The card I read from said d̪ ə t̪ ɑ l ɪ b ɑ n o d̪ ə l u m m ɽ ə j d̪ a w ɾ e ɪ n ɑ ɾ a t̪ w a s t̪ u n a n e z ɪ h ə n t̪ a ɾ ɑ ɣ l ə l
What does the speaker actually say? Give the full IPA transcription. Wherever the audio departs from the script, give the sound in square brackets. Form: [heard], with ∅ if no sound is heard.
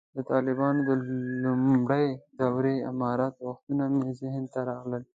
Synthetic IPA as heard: d̪ ə t̪ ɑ l ɪ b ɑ n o d̪ ə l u m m ɽ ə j d̪ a w ɾ e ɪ [m] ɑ ɾ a t̪ w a [x] t̪ u n a [m] e z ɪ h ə n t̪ a ɾ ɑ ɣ l ə l